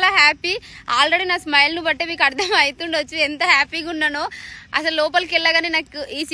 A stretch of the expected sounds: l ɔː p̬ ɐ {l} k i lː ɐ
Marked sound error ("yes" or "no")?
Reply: no